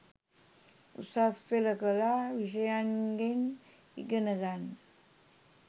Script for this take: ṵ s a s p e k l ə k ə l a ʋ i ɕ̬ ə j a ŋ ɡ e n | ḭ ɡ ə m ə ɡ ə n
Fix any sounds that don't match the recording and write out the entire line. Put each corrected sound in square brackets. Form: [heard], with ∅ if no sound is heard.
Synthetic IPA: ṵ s a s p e [∅] l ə k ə l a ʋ i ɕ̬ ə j a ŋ ɡ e n | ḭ ɡ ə [n] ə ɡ [a] n